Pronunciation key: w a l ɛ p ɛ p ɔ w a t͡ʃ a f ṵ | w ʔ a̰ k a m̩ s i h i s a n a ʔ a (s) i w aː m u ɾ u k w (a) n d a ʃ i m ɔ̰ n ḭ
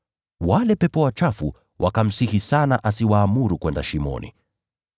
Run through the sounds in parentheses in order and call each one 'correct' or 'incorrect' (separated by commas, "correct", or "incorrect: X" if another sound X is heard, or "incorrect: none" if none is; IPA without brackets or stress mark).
correct, incorrect: ɛ